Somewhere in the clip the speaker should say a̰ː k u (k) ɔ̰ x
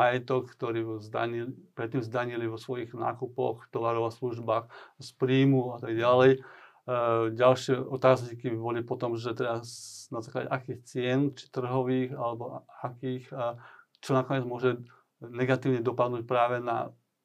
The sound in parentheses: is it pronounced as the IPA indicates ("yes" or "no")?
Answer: no